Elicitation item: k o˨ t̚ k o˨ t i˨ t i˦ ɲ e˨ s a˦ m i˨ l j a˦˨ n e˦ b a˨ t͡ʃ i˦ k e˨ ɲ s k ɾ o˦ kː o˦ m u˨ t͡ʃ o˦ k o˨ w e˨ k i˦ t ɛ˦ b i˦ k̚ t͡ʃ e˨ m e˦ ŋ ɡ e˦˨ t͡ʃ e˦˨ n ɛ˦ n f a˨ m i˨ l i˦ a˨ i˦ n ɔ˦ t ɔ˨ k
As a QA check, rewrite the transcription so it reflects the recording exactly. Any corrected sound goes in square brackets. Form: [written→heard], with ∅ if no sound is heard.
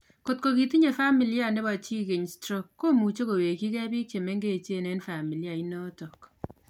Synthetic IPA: k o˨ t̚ k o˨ [t→k] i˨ t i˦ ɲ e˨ [s→f] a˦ m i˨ l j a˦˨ n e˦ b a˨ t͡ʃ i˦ k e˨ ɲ s [k→t] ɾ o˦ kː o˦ m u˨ t͡ʃ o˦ k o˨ w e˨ k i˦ [t→k] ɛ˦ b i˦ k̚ t͡ʃ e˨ m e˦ ŋ ɡ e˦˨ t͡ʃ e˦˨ n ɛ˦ n f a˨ m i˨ l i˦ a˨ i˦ n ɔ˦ t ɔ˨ k